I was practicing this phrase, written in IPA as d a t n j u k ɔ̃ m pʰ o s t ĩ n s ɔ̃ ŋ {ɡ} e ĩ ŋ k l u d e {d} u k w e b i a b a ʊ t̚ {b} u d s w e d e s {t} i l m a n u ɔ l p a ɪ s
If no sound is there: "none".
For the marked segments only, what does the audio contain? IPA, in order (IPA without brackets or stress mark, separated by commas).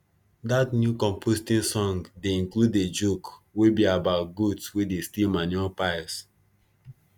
d, d͡ʒ, ɡ, t